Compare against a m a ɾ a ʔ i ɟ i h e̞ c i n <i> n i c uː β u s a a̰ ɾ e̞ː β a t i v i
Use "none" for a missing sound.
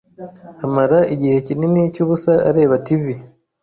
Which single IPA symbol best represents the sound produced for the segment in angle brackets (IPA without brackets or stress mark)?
i